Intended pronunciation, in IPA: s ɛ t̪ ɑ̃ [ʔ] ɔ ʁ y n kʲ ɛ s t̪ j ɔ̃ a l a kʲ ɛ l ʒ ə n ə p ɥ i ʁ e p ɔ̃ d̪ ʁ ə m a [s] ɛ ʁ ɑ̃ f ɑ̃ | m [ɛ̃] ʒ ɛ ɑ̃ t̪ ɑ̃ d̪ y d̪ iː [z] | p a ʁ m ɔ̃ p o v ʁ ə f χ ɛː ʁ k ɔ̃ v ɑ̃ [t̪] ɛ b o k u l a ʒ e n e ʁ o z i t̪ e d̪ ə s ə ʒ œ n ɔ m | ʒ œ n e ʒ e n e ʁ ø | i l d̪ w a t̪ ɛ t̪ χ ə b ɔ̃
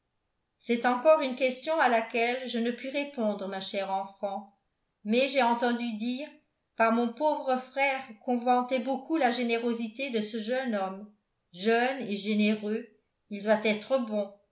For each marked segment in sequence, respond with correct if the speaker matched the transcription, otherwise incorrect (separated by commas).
incorrect, incorrect, incorrect, incorrect, correct